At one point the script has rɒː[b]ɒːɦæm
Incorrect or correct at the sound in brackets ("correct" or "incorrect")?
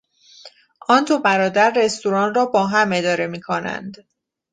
correct